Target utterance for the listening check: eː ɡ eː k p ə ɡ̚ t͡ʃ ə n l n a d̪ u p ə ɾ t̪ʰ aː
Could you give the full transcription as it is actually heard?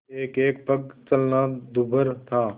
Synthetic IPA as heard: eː k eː k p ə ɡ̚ t͡ʃ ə l n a d̪ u b ə ɾ t̪ʰ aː